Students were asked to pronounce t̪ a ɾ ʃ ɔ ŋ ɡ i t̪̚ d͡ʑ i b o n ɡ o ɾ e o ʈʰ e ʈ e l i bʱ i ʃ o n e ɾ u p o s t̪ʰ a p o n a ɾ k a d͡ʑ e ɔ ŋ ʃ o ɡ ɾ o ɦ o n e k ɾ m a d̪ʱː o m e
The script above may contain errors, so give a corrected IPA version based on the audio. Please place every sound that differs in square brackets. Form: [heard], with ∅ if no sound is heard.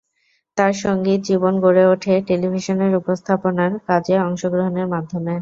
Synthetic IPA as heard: t̪ a ɾ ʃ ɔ ŋ ɡ i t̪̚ d͡ʑ i b o n ɡ o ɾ e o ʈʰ e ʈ e l i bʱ i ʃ o n e ɾ u p o s t̪ʰ a p o n a ɾ k a d͡ʑ e ɔ ŋ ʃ o ɡ ɾ o ɦ o n e [∅] ɾ m a d̪ʱː o m e

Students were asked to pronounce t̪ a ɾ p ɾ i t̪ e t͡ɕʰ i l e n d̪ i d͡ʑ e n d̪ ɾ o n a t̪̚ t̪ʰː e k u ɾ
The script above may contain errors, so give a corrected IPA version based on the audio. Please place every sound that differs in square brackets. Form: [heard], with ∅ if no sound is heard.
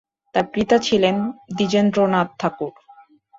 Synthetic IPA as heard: t̪ a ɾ p ɾ i t̪ [a] t͡ɕʰ i l e n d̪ i d͡ʑ e n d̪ ɾ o n a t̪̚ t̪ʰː [a] k u ɾ

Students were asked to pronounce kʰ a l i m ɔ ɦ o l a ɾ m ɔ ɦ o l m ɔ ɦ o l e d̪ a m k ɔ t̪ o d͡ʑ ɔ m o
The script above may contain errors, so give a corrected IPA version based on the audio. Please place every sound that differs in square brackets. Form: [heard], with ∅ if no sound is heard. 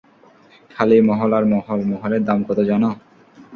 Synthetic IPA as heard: kʰ a l i m ɔ ɦ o l a ɾ m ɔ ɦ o l m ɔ ɦ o l e d̪ a m k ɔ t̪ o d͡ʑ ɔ [n] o

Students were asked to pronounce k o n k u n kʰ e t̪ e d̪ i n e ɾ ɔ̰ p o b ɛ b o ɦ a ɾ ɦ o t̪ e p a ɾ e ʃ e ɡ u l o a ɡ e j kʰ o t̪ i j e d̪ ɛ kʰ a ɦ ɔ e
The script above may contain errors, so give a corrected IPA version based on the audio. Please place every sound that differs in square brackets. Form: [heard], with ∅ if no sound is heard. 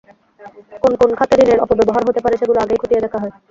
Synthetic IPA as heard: k o n k [o] n kʰ [a] t̪ e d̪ i n e ɾ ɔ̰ p o b ɛ b o ɦ a ɾ ɦ o t̪ e p a ɾ e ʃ e ɡ u l o a ɡ e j kʰ o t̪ i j e d̪ ɛ kʰ a ɦ ɔ e

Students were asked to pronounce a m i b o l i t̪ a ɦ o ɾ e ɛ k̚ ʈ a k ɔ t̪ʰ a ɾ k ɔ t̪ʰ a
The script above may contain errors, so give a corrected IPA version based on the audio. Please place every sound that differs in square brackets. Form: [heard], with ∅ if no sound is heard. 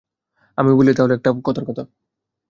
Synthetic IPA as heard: a m i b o l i t̪ a ɦ o [l] e ɛ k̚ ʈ a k ɔ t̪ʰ a ɾ k ɔ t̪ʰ a

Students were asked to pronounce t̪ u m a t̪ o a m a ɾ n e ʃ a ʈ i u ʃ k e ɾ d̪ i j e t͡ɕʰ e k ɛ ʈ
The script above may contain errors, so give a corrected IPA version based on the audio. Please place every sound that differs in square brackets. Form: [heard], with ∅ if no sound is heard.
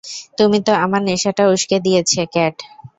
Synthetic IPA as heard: t̪ u m [i] t̪ o a m a ɾ n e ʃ a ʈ [a] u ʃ k e [∅] d̪ i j e t͡ɕʰ e k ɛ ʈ

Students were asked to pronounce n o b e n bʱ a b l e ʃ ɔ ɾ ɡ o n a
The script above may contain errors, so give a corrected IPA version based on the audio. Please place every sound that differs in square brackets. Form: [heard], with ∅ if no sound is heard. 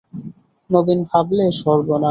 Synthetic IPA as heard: n o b [i] n bʱ a b l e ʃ ɔ ɾ [b] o n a

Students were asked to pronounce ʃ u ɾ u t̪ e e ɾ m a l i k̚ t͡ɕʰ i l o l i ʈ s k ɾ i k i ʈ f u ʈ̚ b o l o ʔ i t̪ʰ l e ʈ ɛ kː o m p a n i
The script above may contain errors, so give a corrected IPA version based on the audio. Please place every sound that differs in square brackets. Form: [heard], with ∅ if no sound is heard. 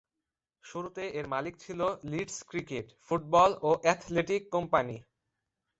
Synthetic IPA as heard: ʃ u ɾ u t̪ e e ɾ m a l i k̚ t͡ɕʰ i l o l i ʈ s k ɾ i k [e] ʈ f u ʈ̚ b [ɔ] l o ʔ [ɛ] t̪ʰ l e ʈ [i] kː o m p a n i

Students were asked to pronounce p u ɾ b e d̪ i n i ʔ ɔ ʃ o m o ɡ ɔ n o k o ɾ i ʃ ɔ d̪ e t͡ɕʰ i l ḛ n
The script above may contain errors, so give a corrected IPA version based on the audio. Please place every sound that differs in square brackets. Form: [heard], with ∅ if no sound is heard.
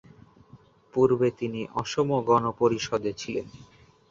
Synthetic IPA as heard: p u ɾ b e [t̪] i n i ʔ ɔ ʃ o m o ɡ ɔ n o [p] o ɾ i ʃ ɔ d̪ e t͡ɕʰ i l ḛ n

